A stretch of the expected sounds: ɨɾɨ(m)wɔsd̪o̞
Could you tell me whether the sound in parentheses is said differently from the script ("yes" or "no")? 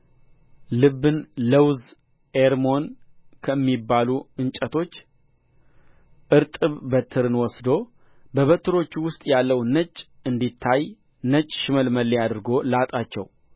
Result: yes